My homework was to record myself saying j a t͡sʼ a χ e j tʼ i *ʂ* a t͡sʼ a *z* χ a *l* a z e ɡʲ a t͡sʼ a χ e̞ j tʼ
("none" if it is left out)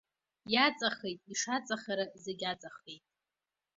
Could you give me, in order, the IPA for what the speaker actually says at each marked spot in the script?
ʂ, none, ɾ

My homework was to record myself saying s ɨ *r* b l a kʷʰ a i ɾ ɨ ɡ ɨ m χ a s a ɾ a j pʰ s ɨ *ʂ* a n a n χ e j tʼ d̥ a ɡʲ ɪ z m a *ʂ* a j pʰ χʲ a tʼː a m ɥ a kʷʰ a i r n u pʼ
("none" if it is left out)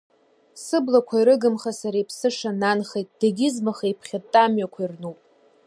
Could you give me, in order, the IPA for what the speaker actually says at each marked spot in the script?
none, ʂ, χ

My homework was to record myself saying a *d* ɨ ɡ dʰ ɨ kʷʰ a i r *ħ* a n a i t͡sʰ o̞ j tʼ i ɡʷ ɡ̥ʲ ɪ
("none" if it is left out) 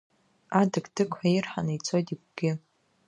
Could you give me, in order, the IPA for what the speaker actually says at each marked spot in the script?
d, ħ

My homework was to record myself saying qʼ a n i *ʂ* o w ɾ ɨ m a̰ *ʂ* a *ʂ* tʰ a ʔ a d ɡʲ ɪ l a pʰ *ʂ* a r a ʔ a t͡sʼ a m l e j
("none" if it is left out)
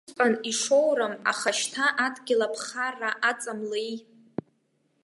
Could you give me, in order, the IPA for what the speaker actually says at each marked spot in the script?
ʂ, χ, ʃ, χ

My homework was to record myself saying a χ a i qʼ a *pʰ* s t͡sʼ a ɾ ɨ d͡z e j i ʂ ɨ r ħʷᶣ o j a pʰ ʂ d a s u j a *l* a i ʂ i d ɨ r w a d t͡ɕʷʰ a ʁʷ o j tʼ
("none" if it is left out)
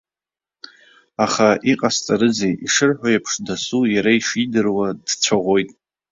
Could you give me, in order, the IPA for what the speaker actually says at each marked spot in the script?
none, ɾ

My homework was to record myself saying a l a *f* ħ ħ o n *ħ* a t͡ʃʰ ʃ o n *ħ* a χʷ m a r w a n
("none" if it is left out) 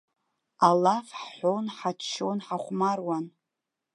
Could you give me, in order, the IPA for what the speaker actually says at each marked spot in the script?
f, ħ, ħ

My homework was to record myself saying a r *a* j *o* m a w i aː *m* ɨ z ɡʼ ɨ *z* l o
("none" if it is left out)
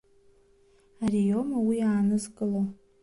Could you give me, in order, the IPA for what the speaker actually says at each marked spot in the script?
i, o, n, none

